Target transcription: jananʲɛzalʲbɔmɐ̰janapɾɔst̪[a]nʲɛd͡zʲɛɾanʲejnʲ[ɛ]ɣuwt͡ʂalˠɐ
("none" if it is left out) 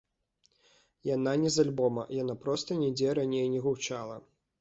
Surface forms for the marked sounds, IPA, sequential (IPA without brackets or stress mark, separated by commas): ɐ, ɛ